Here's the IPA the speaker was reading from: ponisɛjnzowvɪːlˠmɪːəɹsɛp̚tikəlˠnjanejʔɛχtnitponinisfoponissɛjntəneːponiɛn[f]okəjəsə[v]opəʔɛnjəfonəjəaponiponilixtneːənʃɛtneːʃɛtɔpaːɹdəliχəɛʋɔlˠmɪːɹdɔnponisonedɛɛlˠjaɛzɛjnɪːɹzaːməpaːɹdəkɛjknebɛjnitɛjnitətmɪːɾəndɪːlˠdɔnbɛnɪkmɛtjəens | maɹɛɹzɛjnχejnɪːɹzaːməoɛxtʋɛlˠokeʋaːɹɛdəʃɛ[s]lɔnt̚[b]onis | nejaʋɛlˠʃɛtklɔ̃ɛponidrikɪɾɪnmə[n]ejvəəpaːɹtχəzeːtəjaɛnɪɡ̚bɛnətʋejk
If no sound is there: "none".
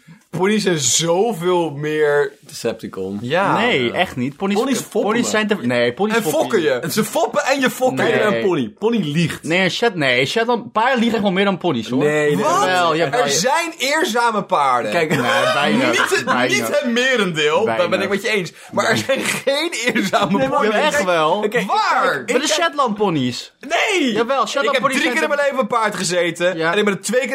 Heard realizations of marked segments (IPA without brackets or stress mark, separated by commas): f, f, t, p, n